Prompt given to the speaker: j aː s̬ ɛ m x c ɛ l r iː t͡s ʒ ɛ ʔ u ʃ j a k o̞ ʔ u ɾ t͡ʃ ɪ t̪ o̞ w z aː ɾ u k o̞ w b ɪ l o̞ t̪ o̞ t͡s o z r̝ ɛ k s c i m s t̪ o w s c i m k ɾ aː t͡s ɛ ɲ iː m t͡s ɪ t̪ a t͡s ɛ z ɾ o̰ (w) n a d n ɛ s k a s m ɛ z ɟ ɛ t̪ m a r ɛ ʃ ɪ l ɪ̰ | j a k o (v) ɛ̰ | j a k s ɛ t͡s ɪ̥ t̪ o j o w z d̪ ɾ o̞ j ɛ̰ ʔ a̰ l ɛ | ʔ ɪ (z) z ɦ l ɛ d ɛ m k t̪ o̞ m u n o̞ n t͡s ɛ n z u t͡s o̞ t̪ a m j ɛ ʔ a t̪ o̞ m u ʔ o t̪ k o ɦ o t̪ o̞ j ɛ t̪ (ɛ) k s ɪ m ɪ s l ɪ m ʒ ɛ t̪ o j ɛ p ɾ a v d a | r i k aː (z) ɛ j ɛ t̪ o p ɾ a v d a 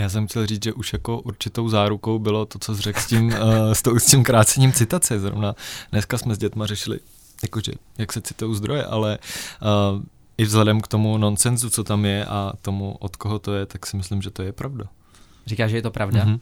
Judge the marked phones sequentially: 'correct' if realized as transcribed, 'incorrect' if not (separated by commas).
incorrect, incorrect, incorrect, incorrect, incorrect